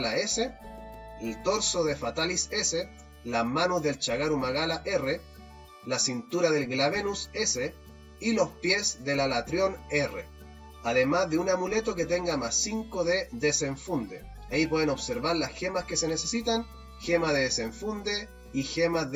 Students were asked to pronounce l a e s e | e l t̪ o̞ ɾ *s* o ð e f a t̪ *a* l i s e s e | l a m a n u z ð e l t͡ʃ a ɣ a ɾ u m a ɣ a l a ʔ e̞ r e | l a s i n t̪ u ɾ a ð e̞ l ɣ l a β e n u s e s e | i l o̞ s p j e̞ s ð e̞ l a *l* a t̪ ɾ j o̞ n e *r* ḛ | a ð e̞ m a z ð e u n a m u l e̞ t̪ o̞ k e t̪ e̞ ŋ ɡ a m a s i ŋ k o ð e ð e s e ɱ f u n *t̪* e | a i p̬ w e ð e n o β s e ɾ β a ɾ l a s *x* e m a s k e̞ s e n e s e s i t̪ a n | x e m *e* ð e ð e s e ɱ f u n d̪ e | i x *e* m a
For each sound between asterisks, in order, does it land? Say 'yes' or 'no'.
yes, yes, yes, yes, no, yes, no, yes

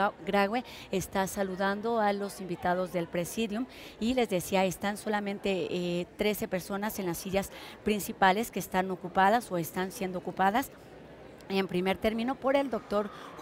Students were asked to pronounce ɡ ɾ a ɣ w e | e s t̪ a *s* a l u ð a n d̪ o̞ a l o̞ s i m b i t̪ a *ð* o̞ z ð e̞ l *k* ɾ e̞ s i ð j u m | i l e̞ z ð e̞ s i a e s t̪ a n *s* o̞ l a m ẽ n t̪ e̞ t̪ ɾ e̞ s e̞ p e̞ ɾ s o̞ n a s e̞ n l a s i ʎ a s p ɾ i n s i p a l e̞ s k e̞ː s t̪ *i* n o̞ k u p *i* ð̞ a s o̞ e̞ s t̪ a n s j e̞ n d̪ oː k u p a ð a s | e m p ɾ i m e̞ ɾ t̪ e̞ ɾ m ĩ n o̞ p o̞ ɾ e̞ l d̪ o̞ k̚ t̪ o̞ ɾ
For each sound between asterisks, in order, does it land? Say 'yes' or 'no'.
yes, yes, no, yes, no, no

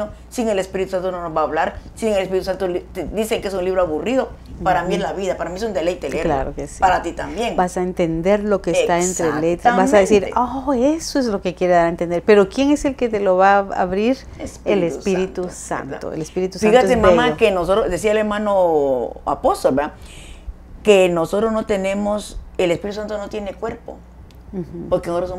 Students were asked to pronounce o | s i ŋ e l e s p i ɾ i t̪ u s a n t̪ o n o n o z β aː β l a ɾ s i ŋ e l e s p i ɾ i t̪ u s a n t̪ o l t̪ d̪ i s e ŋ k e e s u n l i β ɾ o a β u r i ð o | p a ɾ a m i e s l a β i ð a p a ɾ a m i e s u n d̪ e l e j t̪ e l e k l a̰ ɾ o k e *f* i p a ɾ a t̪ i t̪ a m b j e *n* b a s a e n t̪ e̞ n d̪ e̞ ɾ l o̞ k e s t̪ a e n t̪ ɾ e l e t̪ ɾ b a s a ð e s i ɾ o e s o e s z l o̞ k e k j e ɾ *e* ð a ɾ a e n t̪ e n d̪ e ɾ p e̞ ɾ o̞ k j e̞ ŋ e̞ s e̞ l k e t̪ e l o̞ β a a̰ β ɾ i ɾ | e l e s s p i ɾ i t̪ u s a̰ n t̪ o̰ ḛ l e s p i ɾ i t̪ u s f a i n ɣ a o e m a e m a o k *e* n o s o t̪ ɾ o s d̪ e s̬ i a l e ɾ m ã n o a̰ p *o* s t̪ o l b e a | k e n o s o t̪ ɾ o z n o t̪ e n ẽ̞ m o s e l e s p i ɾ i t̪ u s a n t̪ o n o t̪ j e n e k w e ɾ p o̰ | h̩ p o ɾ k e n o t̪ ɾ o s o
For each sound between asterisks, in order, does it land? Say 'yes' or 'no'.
no, no, yes, yes, yes

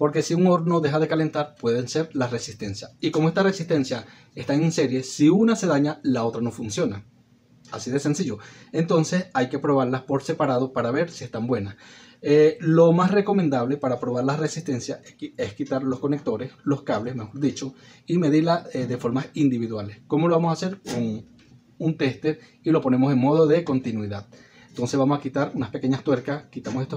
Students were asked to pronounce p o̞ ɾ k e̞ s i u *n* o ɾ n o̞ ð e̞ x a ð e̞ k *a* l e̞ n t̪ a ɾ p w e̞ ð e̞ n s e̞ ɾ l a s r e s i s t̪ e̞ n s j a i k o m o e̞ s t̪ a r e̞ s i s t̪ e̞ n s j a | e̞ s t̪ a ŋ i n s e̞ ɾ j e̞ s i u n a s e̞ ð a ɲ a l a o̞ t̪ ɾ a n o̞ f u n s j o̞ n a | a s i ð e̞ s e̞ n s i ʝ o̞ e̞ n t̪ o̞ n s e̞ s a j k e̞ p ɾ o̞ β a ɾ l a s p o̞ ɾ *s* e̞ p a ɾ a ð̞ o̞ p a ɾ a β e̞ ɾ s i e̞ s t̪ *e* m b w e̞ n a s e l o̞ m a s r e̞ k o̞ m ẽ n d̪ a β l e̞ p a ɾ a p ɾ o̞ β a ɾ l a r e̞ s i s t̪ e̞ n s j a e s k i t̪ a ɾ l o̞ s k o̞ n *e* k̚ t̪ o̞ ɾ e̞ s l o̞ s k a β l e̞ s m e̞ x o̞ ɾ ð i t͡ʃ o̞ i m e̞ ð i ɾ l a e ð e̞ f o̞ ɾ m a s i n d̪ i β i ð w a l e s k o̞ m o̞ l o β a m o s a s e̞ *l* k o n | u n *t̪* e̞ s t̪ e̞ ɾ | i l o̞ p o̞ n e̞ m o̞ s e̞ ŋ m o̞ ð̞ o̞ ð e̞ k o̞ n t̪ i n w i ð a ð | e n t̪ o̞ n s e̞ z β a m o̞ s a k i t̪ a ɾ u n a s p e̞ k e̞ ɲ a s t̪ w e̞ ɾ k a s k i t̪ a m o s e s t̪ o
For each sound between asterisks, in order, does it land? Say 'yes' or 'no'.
no, yes, yes, no, yes, no, yes

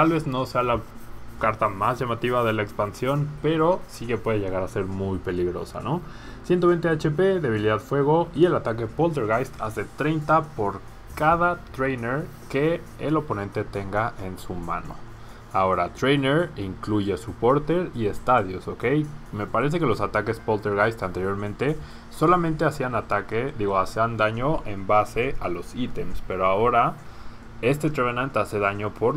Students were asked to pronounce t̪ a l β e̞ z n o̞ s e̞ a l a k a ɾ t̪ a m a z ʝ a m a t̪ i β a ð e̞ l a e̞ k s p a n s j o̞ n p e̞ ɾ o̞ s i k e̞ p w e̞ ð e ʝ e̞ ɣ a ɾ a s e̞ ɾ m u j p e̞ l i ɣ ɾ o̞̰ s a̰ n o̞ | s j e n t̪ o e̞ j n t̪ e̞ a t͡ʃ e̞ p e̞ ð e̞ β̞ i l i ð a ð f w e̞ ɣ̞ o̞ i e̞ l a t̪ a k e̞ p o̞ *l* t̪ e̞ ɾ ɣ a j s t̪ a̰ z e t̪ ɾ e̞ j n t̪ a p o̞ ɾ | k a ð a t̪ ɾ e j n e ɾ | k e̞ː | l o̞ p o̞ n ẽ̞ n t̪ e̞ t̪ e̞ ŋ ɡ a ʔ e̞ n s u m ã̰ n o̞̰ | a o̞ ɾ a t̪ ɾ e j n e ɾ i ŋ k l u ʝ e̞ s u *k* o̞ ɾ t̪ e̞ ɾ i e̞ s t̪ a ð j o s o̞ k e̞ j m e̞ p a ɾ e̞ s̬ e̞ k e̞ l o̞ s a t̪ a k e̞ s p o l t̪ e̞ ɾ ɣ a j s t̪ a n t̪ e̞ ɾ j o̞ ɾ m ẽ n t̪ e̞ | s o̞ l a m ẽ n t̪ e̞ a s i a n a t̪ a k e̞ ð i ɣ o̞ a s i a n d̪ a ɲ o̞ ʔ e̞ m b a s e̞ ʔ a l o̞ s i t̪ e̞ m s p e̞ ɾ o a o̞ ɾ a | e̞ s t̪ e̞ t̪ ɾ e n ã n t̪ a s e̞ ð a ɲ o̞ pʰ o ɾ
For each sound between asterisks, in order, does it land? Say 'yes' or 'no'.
yes, no

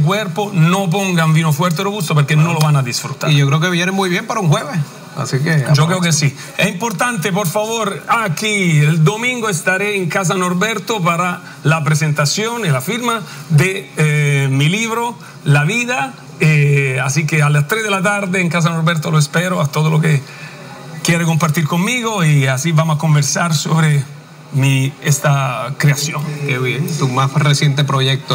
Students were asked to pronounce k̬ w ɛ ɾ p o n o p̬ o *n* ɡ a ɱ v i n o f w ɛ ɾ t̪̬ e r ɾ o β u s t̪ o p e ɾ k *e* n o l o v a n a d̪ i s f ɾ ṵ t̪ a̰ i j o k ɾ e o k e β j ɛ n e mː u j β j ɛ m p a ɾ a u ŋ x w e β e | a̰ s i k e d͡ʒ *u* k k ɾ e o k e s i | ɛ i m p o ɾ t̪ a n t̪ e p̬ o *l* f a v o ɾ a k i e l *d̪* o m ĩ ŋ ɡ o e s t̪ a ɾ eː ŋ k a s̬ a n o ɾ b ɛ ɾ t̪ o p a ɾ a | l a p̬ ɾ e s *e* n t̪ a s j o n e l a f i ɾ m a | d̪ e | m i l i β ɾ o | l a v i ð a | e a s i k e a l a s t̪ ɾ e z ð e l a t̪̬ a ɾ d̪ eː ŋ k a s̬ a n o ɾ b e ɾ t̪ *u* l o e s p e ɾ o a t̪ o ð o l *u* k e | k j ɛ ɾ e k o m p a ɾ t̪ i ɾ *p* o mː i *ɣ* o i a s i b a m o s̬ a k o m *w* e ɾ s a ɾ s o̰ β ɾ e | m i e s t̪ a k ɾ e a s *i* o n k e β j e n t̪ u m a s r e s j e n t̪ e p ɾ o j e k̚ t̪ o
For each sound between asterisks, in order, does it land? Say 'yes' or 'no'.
no, yes, no, no, yes, yes, no, no, no, yes, no, no

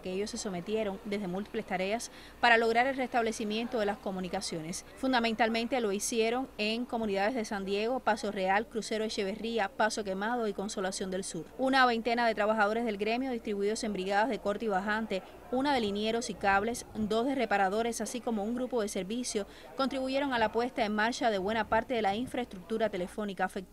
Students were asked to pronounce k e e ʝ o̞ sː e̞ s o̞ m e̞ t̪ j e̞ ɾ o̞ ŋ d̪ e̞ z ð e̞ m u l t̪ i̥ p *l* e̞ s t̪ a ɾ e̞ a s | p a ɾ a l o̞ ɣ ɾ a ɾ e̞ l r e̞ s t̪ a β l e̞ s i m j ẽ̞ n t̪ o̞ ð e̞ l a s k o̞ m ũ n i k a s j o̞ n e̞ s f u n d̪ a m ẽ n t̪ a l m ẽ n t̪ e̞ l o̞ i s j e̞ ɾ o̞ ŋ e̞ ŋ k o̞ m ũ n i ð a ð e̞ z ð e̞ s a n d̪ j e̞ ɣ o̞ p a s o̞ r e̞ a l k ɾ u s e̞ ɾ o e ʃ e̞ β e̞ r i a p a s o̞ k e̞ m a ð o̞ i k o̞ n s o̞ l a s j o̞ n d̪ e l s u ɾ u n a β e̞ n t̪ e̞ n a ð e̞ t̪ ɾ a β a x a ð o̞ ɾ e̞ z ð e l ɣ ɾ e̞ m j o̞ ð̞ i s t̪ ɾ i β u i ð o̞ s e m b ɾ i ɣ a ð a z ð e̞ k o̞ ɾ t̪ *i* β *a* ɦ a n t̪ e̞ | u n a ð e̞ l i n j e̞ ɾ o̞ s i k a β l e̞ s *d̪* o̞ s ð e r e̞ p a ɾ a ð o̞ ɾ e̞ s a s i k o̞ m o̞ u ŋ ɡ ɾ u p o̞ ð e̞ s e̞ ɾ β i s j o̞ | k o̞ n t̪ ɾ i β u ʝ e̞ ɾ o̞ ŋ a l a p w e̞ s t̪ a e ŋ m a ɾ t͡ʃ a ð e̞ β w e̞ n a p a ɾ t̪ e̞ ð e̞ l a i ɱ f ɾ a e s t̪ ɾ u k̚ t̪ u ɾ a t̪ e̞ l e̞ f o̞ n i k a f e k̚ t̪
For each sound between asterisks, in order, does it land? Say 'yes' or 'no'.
yes, yes, yes, yes

